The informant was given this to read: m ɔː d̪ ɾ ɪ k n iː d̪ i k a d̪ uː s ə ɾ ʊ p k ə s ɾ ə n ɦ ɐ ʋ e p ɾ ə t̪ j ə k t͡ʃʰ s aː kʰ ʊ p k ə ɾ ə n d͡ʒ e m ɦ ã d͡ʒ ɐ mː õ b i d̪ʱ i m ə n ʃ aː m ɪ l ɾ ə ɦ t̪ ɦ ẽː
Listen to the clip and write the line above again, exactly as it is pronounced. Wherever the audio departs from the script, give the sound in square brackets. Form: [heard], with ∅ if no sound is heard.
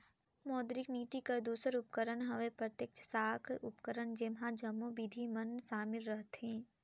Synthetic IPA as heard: m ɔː d̪ ɾ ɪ k n iː [t̪] i k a d̪ uː s ə ɾ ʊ p k ə [∅] ɾ ə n ɦ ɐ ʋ e p ɾ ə t̪ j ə k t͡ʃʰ s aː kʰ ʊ p k ə ɾ ə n d͡ʒ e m ɦ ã d͡ʒ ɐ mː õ b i d̪ʱ i m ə n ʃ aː m ɪ l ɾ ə ɦ t̪ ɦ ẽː